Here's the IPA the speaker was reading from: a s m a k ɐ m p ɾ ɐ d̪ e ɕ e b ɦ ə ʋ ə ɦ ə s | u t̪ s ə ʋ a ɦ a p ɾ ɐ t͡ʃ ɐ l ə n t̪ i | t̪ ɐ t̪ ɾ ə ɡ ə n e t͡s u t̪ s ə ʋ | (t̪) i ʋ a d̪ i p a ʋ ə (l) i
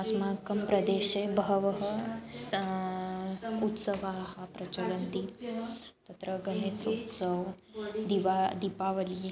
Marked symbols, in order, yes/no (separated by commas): no, yes